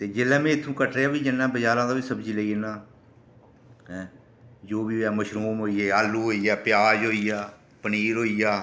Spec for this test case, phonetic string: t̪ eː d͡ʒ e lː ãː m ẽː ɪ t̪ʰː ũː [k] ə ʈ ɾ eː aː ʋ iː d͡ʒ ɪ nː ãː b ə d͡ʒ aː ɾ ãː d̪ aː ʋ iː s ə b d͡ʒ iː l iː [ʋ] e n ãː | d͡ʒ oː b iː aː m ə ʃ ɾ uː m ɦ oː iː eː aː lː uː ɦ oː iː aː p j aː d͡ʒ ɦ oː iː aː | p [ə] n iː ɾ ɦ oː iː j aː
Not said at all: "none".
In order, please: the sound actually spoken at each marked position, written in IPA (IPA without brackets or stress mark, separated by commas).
k, none, ə